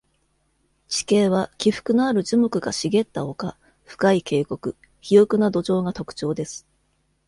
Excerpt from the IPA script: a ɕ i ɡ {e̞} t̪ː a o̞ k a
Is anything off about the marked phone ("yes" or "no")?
no